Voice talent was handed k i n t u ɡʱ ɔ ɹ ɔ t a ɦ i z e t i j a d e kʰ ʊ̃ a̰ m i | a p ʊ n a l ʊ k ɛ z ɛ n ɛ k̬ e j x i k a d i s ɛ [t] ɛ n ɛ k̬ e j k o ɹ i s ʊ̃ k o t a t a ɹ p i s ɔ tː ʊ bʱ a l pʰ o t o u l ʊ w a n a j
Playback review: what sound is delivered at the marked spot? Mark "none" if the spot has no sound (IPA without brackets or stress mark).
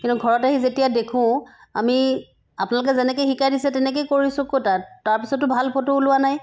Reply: t